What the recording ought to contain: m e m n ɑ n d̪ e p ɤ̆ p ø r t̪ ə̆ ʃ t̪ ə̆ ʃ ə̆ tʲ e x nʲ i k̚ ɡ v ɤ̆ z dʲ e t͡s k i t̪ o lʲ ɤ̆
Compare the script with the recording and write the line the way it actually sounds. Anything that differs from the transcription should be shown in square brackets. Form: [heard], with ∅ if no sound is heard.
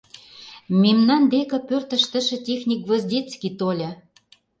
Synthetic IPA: m e m n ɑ n d̪ e [k] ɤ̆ p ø r t̪ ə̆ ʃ t̪ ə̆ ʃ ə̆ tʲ e x nʲ i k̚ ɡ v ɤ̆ z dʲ e t͡s k i t̪ o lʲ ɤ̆